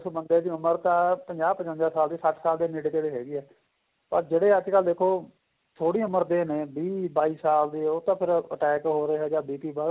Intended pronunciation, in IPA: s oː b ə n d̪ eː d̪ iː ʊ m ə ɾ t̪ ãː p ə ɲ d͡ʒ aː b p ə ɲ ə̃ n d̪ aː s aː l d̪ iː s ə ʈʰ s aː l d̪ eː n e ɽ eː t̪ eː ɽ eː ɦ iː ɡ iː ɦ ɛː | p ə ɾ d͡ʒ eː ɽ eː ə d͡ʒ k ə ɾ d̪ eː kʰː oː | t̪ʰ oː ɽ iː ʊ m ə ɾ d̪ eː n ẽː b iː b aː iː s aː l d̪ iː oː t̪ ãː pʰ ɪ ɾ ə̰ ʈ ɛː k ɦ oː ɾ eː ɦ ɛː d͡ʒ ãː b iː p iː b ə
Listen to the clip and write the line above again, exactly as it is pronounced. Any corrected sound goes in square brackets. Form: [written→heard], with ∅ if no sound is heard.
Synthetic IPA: s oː b ə n d̪ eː d̪ iː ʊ m ə ɾ t̪ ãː p ə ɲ d͡ʒ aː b p ə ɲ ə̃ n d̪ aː s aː l d̪ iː s ə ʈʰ s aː l d̪ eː n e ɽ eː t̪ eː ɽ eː ɦ [iː→ɛː] ɡ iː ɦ ɛː | p ə ɾ d͡ʒ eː ɽ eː ə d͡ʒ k ə [ɾ→l] d̪ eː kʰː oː | t̪ʰ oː ɽ iː ʊ m ə ɾ d̪ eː n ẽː b iː b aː iː s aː l d̪ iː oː t̪ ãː pʰ ɪ ɾ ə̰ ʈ ɛː k ɦ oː ɾ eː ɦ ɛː d͡ʒ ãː b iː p iː b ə